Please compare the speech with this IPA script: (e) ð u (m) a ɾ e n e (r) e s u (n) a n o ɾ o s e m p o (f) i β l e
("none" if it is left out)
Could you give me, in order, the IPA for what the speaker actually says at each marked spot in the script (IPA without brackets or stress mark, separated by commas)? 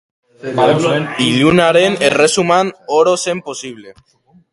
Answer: i, n, r, m, s